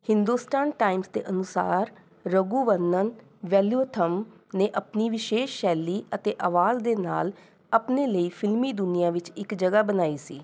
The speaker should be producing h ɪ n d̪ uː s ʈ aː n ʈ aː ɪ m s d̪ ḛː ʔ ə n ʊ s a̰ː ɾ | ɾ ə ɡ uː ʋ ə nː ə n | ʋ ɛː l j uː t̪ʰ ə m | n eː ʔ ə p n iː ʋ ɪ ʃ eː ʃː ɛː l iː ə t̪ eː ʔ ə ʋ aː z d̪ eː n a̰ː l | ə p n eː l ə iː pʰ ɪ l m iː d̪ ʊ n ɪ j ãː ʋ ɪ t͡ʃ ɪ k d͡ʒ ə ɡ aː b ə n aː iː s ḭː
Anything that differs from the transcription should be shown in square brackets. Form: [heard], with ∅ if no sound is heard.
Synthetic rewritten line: h ɪ n d̪ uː s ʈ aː n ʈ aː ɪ m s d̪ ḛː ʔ ə n ʊ s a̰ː ɾ | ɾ ə ɡ uː ʋ ə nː ə n | ʋ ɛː l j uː t̪ʰ ə m | n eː ʔ ə p n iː ʋ ɪ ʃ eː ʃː ɛː l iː ə t̪ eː ʔ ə ʋ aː z d̪ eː n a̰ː l | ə p n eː l ə iː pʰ ɪ l m iː d̪ ʊ n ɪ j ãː ʋ ɪ t͡ʃ ɪ k d͡ʒ ə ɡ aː b ə n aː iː s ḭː